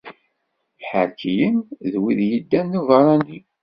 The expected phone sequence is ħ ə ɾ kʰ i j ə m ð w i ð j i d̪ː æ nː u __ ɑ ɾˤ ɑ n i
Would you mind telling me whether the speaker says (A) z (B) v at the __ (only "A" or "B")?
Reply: B